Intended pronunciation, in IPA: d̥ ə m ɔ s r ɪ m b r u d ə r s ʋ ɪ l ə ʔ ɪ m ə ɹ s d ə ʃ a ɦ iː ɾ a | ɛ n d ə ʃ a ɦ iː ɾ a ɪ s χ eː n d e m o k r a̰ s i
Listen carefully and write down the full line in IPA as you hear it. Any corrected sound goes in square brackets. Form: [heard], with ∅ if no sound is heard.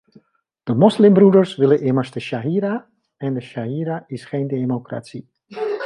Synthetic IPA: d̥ ə m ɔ s [l] ɪ m b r u d ə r s ʋ ɪ l ə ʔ ɪ m ə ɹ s d ə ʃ a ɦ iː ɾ a | ɛ n d ə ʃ a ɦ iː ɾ a ɪ s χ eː n d e m o k r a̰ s i